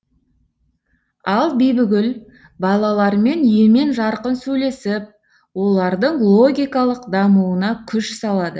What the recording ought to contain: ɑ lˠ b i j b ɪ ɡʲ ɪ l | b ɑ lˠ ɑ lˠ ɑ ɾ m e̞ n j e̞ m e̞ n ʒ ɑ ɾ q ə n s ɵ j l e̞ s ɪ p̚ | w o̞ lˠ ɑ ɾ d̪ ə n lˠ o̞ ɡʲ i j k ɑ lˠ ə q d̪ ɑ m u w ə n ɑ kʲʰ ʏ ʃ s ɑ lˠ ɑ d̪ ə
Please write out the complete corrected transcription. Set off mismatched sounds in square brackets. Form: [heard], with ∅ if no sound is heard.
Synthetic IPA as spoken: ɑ lˠ b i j b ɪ ɡʲ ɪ l | b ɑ lˠ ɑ lˠ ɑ ɾ m e̞ n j e̞ m e̞ n ʒ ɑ ɾ q ə n s ɵ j l e̞ s ɪ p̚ | w o̞ lˠ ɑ ɾ d̪ ə [ɴ] lˠ o̞ ɡʲ i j k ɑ lˠ ə q d̪ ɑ m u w ə n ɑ kʲʰ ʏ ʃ s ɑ lˠ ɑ d̪ ə